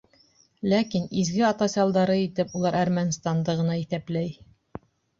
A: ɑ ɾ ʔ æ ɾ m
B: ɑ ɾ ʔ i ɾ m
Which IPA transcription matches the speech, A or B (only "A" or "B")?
A